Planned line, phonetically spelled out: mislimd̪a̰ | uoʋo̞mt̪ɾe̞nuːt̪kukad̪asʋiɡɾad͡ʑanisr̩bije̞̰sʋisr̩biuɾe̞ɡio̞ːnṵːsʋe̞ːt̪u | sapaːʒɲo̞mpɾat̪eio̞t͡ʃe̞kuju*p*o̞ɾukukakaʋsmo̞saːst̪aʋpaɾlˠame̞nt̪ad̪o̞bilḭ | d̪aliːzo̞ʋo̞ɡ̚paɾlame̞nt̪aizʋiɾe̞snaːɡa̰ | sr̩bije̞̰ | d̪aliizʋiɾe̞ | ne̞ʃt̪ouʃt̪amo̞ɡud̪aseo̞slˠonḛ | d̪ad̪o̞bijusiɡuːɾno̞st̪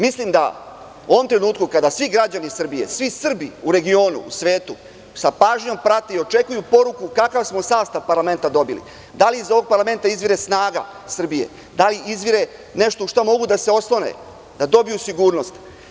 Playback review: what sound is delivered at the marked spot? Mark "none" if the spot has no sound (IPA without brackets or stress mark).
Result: p